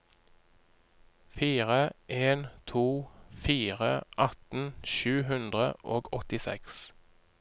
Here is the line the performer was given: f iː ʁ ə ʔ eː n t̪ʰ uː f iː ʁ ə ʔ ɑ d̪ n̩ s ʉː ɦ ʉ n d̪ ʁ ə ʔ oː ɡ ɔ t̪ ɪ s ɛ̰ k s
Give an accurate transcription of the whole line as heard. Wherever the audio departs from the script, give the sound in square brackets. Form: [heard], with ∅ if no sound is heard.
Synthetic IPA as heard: f iː ʁ ə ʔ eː n t̪ʰ uː f iː ʁ ə ʔ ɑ [t̪] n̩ [ʃ] ʉː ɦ ʉ n d̪ ʁ ə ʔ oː ɡ ɔ t̪ ɪ s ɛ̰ k s